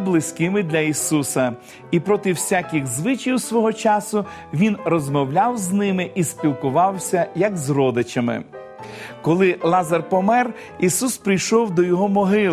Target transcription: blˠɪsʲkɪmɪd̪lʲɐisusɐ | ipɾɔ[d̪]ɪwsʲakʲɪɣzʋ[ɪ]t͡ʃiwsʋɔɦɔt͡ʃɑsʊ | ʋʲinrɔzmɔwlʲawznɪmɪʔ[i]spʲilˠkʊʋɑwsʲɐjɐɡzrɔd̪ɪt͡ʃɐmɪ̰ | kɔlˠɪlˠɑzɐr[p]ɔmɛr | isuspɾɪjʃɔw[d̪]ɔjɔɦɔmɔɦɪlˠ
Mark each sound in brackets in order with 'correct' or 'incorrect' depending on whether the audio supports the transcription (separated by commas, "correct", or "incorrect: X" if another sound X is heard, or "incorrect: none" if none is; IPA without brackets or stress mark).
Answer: incorrect: t̪, correct, correct, correct, correct